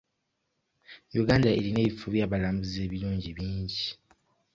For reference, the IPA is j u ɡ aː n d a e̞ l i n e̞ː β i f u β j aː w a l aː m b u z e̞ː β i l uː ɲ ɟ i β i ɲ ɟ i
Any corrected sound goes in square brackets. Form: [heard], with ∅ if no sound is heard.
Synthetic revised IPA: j u ɡ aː n d a e̞ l i n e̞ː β i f u β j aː [β] a l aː m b u z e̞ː β i l uː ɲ ɟ i β [iː] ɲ ɟ i